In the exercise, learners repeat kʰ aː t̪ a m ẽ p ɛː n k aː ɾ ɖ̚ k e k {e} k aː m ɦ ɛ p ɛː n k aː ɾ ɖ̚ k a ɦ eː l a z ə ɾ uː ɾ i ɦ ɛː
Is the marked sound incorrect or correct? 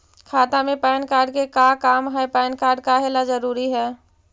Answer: incorrect